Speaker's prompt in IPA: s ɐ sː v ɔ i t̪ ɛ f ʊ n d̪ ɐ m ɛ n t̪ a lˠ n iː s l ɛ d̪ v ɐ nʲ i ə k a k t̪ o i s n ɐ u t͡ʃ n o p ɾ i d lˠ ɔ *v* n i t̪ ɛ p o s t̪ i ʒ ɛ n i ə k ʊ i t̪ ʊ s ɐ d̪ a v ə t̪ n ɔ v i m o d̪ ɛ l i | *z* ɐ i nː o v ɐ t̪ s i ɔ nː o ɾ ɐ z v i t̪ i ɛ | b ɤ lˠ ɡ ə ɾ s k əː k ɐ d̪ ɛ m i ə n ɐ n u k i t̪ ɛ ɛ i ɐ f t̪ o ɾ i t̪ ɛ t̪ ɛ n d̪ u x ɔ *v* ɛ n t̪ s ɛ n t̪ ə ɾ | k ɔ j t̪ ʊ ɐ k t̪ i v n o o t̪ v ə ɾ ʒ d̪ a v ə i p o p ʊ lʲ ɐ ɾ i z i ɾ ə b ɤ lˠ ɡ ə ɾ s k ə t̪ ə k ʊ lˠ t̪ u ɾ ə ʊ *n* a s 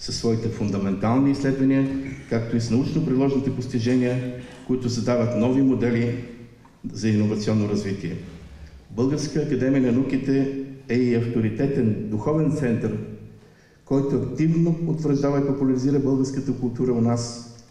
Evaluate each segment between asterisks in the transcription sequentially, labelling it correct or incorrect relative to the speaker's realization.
incorrect: ʒ, correct, correct, correct

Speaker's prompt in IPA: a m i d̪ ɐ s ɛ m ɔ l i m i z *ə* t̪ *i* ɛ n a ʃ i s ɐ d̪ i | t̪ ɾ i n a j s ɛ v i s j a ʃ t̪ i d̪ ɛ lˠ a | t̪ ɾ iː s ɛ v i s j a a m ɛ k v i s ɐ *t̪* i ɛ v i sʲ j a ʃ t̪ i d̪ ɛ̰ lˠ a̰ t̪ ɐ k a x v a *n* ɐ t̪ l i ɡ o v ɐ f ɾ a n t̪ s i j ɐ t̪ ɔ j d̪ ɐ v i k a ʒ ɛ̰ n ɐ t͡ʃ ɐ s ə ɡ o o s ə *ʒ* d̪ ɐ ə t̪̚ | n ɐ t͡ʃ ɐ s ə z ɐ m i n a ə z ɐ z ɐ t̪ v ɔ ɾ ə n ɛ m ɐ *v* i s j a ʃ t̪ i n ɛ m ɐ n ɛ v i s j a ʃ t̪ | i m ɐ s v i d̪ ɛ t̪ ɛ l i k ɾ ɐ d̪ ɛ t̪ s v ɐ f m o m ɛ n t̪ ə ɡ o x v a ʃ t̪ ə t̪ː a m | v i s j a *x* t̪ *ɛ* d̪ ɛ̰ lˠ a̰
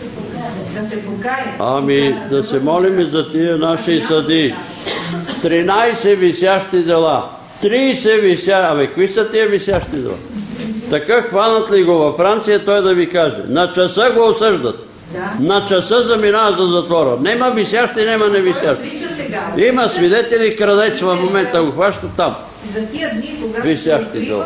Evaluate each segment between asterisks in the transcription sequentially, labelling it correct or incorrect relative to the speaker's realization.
incorrect: ɐ, correct, correct, correct, correct, correct, incorrect: ʃ, incorrect: i

